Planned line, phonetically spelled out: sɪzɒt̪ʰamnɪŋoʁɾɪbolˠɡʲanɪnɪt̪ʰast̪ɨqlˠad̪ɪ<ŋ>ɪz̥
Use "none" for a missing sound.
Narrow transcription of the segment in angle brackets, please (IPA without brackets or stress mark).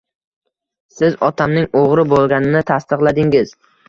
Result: ŋ